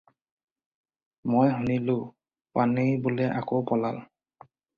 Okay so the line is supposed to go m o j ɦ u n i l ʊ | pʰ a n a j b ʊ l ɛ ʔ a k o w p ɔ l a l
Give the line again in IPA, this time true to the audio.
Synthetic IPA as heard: m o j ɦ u n i l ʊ | p a n e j b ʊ l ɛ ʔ a k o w p ɔ l a l